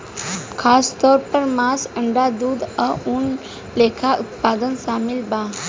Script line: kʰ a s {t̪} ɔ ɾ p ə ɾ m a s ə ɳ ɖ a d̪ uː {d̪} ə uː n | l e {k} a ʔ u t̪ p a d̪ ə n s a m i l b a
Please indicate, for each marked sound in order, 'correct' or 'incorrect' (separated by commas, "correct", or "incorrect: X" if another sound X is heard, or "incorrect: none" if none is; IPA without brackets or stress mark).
correct, correct, incorrect: kʰ